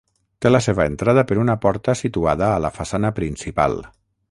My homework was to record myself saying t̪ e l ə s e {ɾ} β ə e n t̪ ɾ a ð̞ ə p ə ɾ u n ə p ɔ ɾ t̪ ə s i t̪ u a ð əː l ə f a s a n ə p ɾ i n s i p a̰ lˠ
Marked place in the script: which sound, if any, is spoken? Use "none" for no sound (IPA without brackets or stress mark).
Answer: none